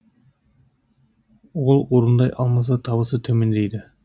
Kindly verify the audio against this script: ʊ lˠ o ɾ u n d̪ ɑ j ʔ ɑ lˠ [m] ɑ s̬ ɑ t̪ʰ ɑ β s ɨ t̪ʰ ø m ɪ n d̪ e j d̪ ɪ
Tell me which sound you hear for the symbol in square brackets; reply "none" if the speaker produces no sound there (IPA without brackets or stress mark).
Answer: m